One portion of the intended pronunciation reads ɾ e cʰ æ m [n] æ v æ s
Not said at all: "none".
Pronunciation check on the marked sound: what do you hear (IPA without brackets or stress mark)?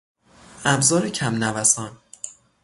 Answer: n